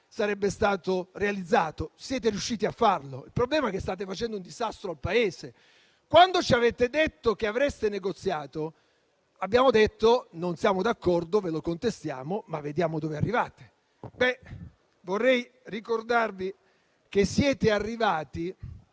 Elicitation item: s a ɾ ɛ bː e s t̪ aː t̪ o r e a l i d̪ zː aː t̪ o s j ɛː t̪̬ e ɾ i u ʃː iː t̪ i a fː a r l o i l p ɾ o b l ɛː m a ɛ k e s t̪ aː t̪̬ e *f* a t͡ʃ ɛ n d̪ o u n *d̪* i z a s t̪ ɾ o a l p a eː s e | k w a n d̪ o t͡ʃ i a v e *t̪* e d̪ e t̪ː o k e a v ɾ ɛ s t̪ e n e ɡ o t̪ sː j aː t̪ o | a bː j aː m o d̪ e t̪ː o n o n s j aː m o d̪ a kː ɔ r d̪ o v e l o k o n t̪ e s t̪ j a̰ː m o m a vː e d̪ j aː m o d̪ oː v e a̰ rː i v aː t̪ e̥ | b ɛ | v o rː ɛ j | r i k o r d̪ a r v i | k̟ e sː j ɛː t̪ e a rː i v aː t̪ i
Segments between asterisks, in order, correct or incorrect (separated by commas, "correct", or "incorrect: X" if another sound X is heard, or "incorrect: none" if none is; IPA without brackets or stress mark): correct, correct, correct